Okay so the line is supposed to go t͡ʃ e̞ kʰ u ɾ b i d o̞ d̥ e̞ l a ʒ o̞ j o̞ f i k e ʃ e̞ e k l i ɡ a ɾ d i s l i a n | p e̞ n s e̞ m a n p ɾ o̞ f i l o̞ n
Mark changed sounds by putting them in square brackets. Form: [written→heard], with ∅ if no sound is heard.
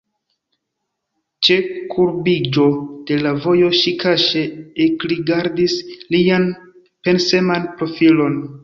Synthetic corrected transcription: t͡ʃ e̞ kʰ u ɾ b i [d→d͡ʒ] o̞ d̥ e̞ l a [ʒ→v] o̞ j o̞ [f→ʃ] i k [e→a] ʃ e̞ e k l i ɡ a ɾ d i s l i a n | p e̞ n s e̞ m a n p ɾ o̞ f i l o̞ n